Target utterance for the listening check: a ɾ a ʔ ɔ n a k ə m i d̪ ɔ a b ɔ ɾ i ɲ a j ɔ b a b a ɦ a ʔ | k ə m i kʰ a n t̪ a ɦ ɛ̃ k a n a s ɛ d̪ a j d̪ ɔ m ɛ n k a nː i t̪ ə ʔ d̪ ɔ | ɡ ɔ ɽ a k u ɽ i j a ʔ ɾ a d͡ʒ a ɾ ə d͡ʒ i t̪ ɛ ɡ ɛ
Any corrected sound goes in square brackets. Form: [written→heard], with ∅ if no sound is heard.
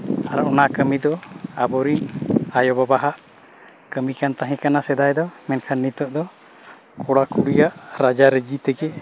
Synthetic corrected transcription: a ɾ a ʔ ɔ n a k ə m i d̪ ɔ a b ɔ ɾ i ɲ a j ɔ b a b a ɦ a ʔ | k ə m i [kʰ→k] a n t̪ a ɦ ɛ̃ k a n a s ɛ d̪ a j d̪ ɔ m ɛ n [k→kʰ] a nː i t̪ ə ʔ d̪ ɔ | [ɡ→k] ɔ ɽ a k u ɽ i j a ʔ ɾ a d͡ʒ a ɾ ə d͡ʒ i t̪ ɛ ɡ ɛ